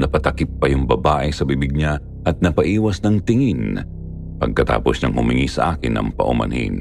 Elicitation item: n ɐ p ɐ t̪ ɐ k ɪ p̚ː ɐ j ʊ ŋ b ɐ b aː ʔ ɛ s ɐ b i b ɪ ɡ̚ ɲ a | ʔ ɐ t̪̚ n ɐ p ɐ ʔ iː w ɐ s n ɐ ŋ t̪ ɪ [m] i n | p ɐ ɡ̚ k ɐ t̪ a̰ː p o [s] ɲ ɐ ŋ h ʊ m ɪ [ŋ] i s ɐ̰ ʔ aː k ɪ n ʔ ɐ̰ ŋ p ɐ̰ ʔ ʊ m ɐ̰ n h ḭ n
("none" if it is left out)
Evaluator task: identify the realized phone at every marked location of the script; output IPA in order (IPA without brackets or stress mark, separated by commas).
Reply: ŋ, s, ŋ